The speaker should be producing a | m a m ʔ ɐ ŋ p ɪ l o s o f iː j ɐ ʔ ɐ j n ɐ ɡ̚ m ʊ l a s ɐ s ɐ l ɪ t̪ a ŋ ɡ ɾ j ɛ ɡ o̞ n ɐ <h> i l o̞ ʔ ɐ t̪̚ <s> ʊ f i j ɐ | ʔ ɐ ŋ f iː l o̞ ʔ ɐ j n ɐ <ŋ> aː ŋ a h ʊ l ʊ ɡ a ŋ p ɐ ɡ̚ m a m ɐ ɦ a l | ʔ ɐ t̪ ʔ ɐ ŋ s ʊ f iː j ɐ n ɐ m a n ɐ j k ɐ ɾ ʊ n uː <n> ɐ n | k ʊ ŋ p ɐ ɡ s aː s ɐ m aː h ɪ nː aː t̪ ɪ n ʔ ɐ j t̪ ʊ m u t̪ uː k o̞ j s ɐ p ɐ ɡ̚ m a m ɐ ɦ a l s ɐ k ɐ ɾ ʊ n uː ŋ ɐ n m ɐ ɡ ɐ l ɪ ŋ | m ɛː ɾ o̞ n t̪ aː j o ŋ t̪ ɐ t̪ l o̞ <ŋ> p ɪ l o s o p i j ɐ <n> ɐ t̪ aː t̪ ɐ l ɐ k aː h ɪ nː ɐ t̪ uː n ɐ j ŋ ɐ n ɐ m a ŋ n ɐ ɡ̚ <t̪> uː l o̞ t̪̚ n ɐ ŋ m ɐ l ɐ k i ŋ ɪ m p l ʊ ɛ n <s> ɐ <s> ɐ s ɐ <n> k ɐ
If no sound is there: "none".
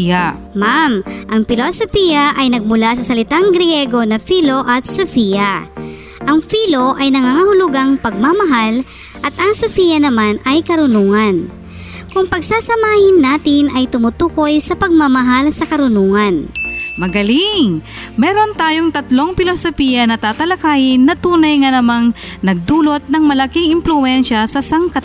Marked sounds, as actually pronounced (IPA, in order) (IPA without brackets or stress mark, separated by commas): f, s, ŋ, ŋ, ŋ, n, d̪, ʃ, s, ŋ